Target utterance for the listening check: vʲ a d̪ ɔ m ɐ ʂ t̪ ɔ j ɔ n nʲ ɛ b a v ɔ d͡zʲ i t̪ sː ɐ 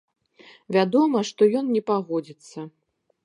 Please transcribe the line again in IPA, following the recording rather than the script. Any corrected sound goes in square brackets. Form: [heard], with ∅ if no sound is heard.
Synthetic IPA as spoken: vʲ a d̪ ɔ m ɐ ʂ t̪ ɔ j ɔ n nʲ ɛ [p] a [ɣ] ɔ d͡zʲ i t̪ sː ɐ